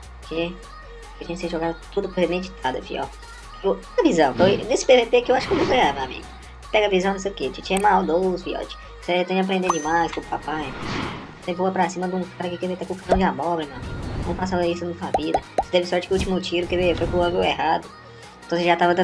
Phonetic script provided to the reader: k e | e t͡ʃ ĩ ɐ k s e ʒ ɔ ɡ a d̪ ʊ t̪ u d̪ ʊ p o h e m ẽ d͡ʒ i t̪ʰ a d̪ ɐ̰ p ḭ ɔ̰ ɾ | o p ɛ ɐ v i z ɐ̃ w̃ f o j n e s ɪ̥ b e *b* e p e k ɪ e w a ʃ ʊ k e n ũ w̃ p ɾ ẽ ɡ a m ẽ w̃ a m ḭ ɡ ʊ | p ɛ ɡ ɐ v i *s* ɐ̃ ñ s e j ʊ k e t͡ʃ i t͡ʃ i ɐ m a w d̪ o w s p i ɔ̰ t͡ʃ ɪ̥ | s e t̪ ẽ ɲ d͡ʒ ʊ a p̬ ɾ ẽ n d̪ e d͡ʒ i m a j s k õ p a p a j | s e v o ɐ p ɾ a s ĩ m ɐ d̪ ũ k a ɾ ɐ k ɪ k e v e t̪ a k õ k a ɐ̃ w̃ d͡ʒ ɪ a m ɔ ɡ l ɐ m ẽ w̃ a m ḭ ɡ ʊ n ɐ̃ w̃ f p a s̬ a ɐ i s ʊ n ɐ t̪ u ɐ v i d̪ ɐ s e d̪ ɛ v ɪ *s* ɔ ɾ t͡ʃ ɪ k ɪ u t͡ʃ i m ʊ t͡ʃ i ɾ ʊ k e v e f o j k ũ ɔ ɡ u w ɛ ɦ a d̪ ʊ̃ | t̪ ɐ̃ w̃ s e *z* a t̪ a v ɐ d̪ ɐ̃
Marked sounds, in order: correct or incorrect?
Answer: incorrect, incorrect, correct, incorrect

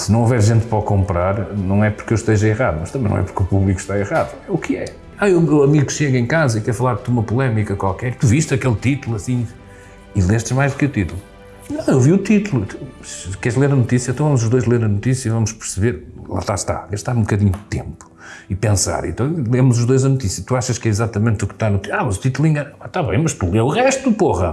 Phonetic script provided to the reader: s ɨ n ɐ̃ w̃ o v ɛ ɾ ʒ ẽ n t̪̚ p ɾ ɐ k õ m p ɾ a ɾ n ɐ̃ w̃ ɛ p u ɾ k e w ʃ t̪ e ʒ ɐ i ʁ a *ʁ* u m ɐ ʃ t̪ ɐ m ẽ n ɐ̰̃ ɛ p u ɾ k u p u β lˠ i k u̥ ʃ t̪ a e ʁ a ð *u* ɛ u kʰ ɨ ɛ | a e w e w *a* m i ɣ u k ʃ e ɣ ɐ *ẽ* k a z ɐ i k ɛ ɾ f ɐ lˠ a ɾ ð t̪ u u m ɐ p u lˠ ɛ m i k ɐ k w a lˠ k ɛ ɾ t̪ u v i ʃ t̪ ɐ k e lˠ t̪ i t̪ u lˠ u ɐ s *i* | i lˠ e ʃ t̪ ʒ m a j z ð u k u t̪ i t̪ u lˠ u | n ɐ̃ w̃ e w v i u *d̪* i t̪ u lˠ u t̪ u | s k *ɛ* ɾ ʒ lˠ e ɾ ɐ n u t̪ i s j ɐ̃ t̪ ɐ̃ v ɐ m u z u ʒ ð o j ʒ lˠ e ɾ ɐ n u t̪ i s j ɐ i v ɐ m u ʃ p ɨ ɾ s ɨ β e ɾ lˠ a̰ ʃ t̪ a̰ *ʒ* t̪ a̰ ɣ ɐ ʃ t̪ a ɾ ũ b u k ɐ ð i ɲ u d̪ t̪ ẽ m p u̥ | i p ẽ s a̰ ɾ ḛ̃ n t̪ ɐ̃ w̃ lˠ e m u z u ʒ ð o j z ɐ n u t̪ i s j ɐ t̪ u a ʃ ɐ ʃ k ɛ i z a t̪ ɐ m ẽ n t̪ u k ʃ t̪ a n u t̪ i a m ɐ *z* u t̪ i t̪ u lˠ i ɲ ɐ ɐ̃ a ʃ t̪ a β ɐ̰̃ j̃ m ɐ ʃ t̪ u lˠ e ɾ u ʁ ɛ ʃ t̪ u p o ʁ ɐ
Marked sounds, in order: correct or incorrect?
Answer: incorrect, correct, incorrect, correct, incorrect, incorrect, correct, incorrect, correct

